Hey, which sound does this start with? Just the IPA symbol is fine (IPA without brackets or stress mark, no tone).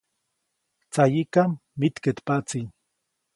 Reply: t͡s